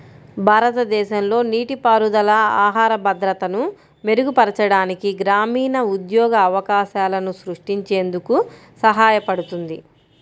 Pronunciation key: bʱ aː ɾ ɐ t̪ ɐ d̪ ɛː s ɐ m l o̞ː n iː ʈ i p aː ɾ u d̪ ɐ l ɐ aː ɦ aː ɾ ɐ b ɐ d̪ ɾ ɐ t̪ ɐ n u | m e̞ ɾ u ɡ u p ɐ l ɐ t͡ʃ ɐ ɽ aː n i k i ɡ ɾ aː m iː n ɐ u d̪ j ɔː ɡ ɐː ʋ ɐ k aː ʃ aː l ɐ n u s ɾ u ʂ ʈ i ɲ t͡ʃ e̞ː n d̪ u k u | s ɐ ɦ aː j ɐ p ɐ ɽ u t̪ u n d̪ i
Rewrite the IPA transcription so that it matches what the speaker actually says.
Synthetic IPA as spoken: bʱ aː ɾ ɐ t̪ ɐ d̪ ɛː ʃ ɐ m l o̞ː n iː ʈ i p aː ɾ u d̪ ɐ l ɐ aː ɦ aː ɾ ɐ b ɐ d̪ ɾ ɐ t̪ ɐ n u | m e̞ ɾ u ɡ u p ɐ ɾ ɐ t͡ʃ ɐ ɽ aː n i k i ɡ ɾ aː m iː n ɐ u d̪ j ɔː ɡ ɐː ʋ ɐ k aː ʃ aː l ɐ n u s ɾ u ʂ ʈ i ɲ t͡ʃ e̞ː n d̪ u k u | s ɐ ɦ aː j ɐ p ɐ ɽ u t̪ u n d̪ i